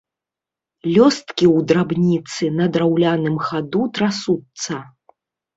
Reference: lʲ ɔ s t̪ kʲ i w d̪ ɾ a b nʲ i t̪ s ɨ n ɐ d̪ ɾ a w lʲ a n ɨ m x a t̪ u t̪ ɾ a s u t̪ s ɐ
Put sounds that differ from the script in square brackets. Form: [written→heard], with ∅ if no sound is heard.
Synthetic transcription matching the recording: lʲ ɔ s t̪ kʲ i w d̪ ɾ a b nʲ i t̪ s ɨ n ɐ d̪ ɾ a w lʲ a n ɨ m x a [t̪→d̪] u t̪ ɾ a s u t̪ s ɐ